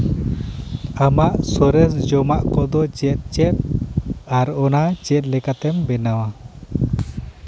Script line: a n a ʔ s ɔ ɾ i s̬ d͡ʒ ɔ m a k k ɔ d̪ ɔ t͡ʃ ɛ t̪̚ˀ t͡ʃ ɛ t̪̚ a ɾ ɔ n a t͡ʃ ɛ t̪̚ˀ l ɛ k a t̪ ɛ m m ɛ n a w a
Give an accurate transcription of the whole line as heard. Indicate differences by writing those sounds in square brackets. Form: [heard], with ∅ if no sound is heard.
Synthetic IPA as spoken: a [m] a ʔ s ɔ ɾ [ɛ] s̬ d͡ʒ ɔ m a [ʔ] k ɔ d̪ ɔ t͡ʃ ɛ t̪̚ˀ t͡ʃ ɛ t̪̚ a ɾ ɔ n a t͡ʃ ɛ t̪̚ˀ l ɛ k a t̪ ɛ m [b] ɛ n a w a